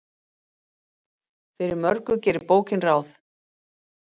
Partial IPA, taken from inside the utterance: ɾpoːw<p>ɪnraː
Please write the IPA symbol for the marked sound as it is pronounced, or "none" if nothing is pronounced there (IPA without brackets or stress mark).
c